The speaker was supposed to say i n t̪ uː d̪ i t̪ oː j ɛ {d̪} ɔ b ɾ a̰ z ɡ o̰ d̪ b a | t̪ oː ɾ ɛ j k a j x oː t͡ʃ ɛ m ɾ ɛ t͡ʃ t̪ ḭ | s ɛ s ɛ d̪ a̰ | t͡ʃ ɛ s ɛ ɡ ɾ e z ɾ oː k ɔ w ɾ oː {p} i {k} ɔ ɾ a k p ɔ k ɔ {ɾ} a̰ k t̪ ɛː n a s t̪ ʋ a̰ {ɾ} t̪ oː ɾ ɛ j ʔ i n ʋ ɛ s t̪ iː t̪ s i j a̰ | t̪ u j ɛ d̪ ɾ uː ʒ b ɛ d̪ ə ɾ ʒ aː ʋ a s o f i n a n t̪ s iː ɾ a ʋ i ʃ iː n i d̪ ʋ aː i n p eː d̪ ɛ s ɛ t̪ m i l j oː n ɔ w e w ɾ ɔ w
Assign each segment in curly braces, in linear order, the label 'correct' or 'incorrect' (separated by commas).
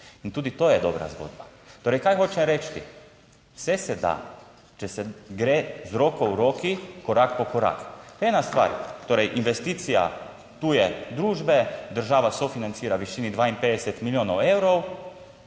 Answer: correct, incorrect, correct, correct, correct